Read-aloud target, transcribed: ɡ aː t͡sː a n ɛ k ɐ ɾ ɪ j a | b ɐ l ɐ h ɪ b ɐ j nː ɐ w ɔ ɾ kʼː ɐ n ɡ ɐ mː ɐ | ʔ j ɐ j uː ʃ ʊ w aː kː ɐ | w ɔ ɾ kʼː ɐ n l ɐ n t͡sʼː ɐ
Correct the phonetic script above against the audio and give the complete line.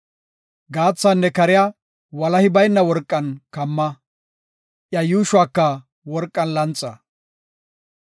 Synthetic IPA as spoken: ɡ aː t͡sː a nː ɛ k ɐ ɾ ɪ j a | w ɐ l ɐ h ɪ b ɐ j nː ɐ w ɔ ɾ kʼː ɐ n k ɐ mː ɐ | ʔ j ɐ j uː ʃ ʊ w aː kː ɐ | w ɔ ɾ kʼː ɐ n l ɐ n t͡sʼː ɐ